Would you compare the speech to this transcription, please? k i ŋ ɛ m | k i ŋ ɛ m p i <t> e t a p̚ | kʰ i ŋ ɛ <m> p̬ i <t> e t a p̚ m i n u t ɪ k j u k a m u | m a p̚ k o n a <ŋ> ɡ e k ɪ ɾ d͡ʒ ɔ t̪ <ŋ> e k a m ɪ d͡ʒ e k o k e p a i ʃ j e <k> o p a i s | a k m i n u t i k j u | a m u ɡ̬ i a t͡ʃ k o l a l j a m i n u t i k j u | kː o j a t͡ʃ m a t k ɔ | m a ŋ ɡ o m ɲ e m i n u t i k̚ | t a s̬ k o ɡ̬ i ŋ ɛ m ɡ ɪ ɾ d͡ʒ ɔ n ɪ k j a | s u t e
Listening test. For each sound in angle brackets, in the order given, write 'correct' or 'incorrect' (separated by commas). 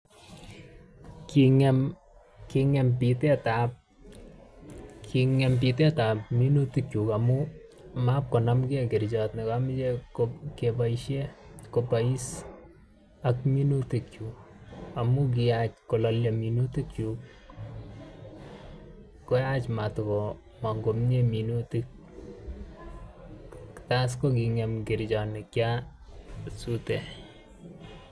correct, correct, correct, incorrect, incorrect, correct